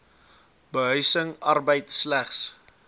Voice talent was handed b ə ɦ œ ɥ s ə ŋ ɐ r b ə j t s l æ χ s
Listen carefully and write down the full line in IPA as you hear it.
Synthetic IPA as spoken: b ə ɦ œ ɥ s ə ŋ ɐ r b ə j t s l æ χ s